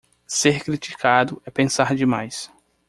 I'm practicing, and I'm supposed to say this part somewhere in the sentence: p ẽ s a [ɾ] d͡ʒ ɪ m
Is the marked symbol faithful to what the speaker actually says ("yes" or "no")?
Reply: yes